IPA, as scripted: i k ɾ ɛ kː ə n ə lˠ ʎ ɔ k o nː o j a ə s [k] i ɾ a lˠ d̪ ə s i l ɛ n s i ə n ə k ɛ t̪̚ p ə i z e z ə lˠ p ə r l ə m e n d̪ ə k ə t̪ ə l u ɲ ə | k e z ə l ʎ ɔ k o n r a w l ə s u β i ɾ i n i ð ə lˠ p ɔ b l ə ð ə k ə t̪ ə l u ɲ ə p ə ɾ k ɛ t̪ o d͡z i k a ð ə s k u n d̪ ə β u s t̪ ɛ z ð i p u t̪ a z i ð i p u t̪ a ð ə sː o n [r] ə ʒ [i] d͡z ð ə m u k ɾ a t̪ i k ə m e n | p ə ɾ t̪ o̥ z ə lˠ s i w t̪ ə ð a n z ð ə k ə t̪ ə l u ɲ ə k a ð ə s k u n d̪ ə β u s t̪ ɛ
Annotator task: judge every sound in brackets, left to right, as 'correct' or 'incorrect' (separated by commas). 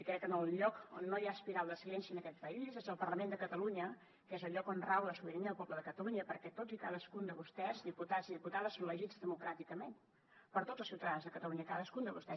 incorrect, incorrect, correct